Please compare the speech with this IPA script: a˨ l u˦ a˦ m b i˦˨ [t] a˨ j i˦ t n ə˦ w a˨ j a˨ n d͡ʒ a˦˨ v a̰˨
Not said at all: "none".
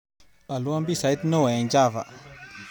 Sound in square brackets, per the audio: s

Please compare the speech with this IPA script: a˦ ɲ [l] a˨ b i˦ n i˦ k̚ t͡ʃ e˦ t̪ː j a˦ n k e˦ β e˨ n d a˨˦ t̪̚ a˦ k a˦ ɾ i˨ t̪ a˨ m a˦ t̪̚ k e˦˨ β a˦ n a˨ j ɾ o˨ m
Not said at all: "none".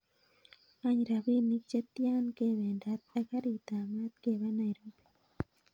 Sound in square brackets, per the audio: ɾ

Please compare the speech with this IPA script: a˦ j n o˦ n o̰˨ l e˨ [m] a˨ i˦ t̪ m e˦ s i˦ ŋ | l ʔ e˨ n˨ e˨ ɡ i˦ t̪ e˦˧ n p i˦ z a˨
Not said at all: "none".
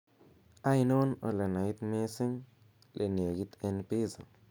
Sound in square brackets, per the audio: n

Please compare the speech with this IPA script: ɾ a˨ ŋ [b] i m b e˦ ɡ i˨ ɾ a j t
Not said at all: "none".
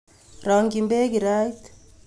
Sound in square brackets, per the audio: ɡ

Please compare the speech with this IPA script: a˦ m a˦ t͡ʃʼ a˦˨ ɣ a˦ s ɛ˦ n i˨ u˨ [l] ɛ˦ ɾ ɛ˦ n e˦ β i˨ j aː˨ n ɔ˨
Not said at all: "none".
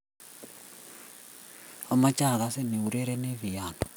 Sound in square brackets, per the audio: ɾ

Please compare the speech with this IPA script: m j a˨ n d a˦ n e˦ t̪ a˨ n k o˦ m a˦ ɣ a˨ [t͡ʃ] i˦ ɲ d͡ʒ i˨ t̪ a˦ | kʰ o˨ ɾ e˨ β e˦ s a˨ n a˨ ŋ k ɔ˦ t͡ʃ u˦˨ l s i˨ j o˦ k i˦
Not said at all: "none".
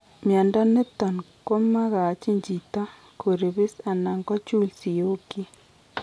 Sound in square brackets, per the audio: t͡ʃ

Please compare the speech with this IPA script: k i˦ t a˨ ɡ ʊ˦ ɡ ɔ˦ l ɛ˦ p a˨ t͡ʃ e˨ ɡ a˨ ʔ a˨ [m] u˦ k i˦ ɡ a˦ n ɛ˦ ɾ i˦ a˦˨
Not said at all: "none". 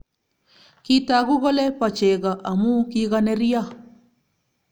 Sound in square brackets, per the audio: m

